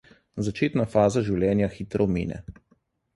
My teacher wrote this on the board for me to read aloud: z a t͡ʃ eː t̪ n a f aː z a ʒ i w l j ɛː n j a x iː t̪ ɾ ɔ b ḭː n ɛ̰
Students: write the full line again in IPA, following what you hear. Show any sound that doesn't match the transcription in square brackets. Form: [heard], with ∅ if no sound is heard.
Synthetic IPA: z a t͡ʃ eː t̪ n a f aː z a ʒ i w l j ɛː n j a x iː t̪ ɾ ɔ [m] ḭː n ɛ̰